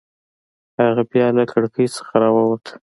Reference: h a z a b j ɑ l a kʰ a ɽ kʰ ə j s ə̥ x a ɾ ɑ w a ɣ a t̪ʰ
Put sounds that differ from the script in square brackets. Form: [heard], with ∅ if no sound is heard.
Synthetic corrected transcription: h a [ɣ] a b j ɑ l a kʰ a ɽ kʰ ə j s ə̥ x a ɾ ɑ w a [w] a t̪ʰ